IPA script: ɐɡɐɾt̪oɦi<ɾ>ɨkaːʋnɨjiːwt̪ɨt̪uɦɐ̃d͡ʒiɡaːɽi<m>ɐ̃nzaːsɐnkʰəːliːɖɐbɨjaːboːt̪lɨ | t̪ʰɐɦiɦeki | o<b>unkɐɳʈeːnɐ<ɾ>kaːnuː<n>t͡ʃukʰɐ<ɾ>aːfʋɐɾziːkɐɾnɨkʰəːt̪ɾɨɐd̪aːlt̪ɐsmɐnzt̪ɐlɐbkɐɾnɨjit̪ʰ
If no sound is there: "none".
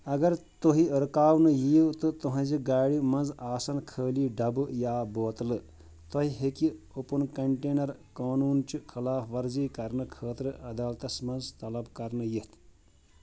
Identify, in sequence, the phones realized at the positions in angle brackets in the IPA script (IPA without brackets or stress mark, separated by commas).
ɾ, m, p, ɾ, n, l